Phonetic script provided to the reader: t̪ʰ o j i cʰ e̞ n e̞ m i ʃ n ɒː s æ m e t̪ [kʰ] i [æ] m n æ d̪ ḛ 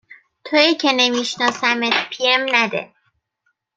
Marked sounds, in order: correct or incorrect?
incorrect, incorrect

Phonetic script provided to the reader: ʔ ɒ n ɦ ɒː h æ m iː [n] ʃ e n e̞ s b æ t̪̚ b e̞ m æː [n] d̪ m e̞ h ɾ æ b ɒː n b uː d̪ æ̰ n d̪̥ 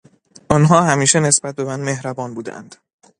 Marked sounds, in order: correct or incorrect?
incorrect, correct

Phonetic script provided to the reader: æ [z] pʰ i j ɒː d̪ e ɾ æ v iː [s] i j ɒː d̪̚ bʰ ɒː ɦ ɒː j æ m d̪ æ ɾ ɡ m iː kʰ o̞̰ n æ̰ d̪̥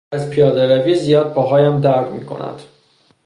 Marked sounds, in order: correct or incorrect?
correct, incorrect

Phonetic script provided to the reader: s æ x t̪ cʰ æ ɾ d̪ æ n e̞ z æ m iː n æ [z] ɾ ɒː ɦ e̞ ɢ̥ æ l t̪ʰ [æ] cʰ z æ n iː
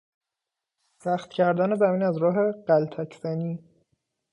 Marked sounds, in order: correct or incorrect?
correct, correct

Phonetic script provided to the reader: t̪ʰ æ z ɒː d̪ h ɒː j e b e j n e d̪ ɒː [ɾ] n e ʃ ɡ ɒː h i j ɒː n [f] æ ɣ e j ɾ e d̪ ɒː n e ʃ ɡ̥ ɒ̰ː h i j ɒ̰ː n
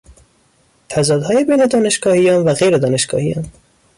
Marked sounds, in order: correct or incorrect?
incorrect, incorrect

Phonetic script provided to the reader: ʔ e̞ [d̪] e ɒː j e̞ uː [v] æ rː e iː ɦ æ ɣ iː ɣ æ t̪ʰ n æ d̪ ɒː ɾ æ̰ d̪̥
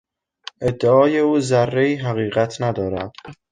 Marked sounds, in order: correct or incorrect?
incorrect, incorrect

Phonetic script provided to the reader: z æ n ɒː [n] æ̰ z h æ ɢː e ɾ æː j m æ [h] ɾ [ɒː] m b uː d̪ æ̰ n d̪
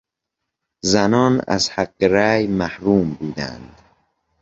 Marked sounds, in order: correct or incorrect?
correct, correct, incorrect

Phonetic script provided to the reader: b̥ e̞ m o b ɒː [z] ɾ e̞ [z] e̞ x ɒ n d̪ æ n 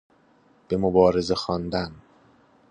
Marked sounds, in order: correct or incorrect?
incorrect, correct

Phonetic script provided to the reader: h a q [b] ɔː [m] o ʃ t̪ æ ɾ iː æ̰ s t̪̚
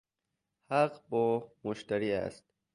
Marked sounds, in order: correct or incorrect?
correct, correct

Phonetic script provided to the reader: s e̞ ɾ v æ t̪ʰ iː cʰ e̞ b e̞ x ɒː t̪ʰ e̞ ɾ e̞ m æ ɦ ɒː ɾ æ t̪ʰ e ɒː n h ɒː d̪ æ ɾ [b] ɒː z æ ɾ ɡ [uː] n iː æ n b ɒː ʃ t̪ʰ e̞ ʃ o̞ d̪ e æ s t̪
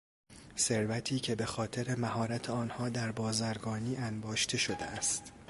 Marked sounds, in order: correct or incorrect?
correct, incorrect

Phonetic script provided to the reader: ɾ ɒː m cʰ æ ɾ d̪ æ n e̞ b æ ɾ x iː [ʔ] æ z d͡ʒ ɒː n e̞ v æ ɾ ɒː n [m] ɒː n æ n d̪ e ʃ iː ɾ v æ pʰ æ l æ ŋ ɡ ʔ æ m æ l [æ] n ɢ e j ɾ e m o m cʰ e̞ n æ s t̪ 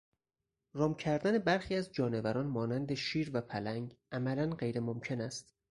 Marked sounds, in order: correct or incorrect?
incorrect, correct, correct

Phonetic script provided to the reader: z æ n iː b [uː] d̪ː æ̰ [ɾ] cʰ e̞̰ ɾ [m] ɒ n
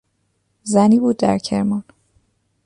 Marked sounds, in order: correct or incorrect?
correct, correct, correct

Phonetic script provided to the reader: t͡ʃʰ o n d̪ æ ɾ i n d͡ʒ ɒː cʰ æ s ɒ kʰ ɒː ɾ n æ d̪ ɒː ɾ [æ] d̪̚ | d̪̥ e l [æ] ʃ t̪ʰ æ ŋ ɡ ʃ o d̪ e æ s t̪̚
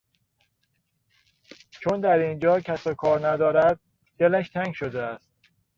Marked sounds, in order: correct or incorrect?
correct, correct

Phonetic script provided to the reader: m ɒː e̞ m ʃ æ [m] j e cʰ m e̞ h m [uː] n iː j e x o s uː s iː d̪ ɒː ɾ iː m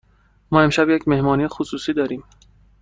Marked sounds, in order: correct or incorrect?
incorrect, incorrect

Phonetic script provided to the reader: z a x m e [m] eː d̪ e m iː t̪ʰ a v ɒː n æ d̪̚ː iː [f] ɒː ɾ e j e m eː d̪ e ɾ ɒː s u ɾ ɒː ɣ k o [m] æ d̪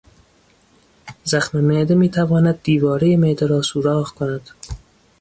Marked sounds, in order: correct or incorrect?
correct, incorrect, incorrect

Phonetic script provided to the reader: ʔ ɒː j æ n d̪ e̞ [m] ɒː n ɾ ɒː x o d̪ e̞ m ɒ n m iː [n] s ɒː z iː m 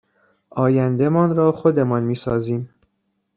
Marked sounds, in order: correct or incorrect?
correct, incorrect

